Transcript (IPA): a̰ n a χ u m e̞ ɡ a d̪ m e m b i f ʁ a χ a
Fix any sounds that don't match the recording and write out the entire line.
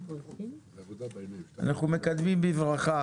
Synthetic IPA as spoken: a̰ n a χ u m e̞ k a d̪ m i m b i v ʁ a χ a